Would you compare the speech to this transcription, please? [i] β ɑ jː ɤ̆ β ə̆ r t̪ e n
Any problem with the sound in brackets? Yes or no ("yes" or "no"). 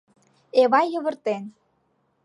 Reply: yes